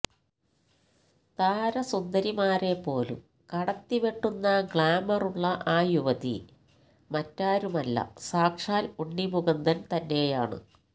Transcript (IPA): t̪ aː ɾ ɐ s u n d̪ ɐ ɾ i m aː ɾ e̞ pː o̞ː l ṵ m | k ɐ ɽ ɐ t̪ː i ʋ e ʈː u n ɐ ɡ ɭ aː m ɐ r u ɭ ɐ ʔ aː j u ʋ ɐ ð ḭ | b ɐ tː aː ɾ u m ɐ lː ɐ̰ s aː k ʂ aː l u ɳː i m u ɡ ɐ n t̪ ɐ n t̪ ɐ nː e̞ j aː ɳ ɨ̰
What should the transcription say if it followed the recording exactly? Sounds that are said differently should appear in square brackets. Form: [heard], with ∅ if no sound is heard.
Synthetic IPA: t̪ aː ɾ ɐ s u n d̪ ɐ ɾ i m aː ɾ e̞ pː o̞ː l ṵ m | k ɐ ɽ ɐ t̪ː i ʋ e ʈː u [nː] ɐ ɡ ɭ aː m ɐ r u [ɭː] ɐ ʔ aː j u ʋ ɐ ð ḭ | [m] ɐ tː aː ɾ u m ɐ lː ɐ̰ s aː k ʂ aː l u ɳː i m u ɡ ɐ n [d̪] ɐ n t̪ ɐ nː e̞ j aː ɳ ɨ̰